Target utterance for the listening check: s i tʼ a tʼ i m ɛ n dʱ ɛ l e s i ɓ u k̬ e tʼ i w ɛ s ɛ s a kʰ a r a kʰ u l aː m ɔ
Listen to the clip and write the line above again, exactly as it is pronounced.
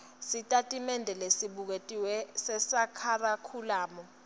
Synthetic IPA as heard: s i tʼ a tʼ i m ɛ n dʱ ɛ l e s i ɓ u k̬ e tʼ i w ɛ s ɛ s a kʰ a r a kʰ u l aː m ɔ

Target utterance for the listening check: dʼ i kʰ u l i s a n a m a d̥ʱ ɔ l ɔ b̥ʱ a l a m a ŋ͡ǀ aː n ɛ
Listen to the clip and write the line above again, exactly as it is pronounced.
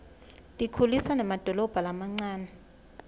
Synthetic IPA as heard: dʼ i kʰ u l i s a n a m a d̥ʱ ɔ l ɔ b̥ʱ a l a m a ŋ͡ǀ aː n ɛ

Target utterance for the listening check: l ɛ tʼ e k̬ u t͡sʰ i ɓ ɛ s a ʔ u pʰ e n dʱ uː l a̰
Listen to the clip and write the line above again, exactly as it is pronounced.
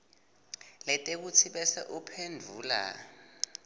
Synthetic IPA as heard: l ɛ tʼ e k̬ u t͡sʰ i ɓ ɛ s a ʔ u pʰ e n dʱ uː l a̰

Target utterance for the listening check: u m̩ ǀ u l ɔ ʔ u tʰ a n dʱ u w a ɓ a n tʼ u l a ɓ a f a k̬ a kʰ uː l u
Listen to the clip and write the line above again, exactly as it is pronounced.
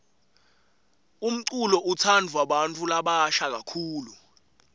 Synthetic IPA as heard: u m̩ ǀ u l ɔ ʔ u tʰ a n dʱ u w a ɓ a n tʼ u l a ɓ a ʃ a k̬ a kʰ uː l u

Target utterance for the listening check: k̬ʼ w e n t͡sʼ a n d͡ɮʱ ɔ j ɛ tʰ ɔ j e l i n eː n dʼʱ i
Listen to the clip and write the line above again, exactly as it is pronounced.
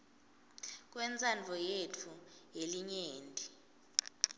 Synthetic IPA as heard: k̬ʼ w ɛ n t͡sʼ a n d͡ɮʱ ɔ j e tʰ u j e l i ɲ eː n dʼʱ i

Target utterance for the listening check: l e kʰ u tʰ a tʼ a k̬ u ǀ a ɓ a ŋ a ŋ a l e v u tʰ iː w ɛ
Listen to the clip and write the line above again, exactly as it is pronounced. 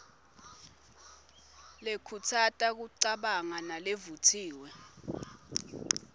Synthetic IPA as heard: l e kʰ u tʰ a tʼ a k̬ u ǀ a ɓ a ŋ a n a l e v u tʰ iː w ɛ

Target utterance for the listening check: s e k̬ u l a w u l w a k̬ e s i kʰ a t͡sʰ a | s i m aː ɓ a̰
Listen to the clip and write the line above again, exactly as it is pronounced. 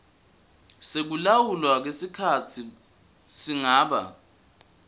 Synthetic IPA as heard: s e k̬ u l a w u l w a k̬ e s i kʰ a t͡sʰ i | s i ŋ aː ɓ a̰

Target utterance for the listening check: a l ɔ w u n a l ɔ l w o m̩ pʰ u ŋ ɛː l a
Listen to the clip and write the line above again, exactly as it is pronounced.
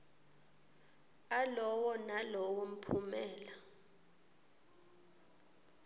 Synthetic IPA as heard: a l ɔ w ɔ n a l ɔ w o m̩ pʰ u m ɛː l a

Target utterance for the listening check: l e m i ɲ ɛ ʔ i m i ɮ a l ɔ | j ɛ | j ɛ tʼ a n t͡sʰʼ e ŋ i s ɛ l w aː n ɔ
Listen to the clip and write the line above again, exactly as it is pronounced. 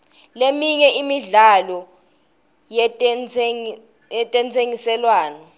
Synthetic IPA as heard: l e m i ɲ ɛ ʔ i m i ɮ a l ɔ | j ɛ | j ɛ tʼ ɛ n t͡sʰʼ e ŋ i s ɛ l w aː n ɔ

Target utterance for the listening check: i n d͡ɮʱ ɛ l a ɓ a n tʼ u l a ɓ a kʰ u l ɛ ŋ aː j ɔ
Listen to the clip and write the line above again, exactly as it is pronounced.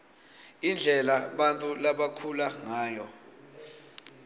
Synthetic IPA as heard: i n d͡ɮʱ ɛ l a ɓ a n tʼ u l a ɓ a kʰ u l a ŋ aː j ɔ

